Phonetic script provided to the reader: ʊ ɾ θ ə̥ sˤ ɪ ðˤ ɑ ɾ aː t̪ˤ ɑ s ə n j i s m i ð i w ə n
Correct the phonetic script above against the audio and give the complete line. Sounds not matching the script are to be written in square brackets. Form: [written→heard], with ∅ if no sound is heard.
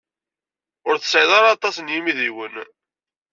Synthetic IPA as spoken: ʊ ɾ θ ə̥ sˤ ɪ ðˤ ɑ ɾ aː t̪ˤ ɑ s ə n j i [s→∅] m i ð i w ə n